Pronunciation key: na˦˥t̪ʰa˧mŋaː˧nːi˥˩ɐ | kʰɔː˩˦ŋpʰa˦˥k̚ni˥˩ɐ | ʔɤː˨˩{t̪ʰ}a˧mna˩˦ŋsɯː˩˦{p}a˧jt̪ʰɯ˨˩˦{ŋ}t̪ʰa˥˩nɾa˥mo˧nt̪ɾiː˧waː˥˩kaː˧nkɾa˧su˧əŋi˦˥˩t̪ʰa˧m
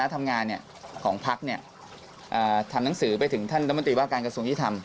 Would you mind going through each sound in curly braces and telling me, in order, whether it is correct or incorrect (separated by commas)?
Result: correct, correct, correct